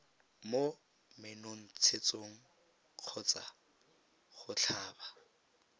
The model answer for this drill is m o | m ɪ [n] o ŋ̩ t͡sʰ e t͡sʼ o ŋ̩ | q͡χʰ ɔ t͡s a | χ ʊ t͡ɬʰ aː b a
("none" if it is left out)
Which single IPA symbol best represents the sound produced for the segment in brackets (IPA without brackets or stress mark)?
n